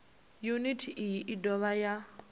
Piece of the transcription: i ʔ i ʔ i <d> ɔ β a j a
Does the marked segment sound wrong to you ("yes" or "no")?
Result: no